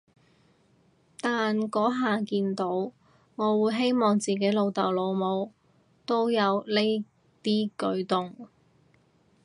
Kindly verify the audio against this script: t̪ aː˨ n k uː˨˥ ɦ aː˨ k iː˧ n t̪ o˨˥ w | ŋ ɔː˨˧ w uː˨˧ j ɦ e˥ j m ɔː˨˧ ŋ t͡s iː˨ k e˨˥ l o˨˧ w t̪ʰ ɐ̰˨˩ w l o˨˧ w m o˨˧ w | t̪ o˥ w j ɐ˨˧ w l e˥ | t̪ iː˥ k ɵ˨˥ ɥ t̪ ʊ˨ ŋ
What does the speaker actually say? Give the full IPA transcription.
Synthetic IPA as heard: t̪ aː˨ n k ɔː˨˥ ɦ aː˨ k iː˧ n t̪ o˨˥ w | ŋ ɔː˨˧ w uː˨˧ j ɦ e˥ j m ɔː˨˧ ŋ t͡s iː˨ k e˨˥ l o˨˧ w t̪ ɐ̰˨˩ w l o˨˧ w m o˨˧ w | t̪ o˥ w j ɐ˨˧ w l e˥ | t̪ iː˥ k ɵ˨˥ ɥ t̪ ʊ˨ ŋ